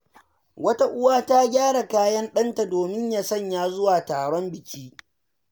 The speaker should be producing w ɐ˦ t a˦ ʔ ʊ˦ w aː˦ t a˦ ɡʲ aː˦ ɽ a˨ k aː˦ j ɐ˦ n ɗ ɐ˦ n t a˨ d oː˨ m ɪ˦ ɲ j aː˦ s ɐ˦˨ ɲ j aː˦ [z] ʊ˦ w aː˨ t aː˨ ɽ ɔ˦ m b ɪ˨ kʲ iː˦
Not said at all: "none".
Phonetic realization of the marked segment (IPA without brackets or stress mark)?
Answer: z